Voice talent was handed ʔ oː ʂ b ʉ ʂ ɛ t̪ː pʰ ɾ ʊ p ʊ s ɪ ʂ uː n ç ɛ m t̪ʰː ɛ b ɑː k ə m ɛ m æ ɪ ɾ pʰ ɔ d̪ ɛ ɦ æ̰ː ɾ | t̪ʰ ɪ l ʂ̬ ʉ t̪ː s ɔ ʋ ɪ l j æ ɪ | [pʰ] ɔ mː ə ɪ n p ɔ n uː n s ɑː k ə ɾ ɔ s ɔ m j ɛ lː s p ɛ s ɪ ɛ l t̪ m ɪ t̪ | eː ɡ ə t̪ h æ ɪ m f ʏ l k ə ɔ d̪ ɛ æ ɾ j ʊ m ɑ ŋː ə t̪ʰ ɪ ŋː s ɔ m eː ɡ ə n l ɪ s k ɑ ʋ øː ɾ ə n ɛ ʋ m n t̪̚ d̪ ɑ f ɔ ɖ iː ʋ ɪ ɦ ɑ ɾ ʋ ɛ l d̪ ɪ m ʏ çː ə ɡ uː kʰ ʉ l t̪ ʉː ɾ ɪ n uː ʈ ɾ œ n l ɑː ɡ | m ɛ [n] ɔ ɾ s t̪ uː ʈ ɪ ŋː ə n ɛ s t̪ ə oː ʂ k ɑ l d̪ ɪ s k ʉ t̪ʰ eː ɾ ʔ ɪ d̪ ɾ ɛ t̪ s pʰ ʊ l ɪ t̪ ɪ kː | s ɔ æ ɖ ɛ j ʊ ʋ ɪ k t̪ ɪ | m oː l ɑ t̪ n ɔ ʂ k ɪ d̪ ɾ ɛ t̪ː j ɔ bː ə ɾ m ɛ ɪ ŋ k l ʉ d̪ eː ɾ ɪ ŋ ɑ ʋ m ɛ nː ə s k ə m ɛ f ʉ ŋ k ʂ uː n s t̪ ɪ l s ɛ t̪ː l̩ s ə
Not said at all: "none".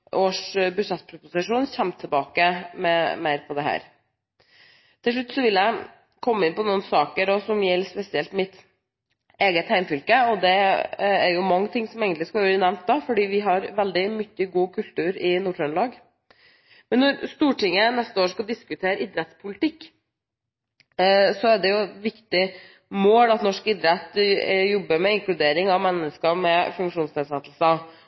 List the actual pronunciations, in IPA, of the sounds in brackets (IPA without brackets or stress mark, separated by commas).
kʰ, nː